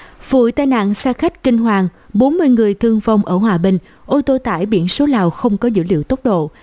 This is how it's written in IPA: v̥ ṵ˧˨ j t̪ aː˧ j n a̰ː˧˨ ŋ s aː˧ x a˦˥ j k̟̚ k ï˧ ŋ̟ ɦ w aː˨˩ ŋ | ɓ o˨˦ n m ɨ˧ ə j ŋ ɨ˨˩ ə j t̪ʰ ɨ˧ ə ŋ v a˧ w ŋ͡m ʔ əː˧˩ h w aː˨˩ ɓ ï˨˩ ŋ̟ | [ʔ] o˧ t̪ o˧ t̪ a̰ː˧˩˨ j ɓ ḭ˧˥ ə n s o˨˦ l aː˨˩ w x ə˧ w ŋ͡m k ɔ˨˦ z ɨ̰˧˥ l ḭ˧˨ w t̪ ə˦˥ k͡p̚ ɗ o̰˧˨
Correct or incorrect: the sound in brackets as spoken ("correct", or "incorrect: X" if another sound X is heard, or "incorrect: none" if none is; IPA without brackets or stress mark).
correct